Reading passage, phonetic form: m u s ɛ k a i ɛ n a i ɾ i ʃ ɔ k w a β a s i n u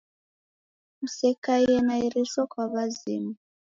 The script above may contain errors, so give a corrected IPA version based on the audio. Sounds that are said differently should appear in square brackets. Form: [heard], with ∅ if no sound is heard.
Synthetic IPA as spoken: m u s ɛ k a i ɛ n a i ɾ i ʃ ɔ k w a β a [z] i [m] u